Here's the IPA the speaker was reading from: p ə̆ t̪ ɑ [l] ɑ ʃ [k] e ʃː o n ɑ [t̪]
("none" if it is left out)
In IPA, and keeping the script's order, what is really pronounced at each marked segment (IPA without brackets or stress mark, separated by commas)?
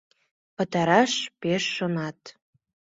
ɾ, p, t̪